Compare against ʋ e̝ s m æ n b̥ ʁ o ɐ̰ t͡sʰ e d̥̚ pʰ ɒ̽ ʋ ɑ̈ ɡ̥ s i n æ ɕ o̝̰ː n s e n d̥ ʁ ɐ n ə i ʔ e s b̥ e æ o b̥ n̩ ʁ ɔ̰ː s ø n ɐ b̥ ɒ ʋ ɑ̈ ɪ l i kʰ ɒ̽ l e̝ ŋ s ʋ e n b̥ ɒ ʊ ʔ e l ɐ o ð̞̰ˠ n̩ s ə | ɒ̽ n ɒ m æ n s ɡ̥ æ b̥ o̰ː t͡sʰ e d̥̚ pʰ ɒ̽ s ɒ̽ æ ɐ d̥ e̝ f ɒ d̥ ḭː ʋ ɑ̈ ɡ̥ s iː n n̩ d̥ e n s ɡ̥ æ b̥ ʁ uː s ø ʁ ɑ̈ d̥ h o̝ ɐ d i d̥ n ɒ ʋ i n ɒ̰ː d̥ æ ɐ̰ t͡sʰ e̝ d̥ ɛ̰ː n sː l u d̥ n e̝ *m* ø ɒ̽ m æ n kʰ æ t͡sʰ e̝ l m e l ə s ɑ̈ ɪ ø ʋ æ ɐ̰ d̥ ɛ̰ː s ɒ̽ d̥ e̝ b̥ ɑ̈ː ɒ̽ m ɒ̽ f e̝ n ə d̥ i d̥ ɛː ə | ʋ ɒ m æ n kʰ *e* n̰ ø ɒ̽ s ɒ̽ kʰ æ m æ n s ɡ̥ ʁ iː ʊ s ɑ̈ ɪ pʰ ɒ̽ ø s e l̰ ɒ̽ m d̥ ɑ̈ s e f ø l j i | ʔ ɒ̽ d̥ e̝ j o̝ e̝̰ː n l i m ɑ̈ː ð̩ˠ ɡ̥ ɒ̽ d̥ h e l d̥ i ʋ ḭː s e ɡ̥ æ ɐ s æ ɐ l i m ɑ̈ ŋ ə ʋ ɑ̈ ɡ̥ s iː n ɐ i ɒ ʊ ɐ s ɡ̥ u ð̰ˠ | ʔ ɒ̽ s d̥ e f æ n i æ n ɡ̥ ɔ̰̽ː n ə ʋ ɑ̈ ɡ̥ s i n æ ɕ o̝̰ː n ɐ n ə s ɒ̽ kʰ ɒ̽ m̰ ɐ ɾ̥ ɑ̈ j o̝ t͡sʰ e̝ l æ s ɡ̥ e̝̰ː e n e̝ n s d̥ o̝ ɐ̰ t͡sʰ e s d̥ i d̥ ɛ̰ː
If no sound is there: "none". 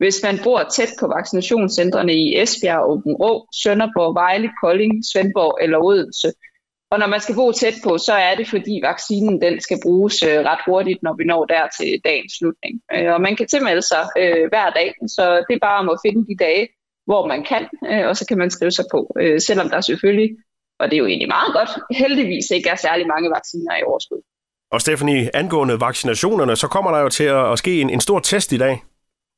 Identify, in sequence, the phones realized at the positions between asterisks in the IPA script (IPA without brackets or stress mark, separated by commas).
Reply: ŋ, æ